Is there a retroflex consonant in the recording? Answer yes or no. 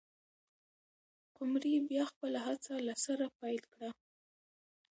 yes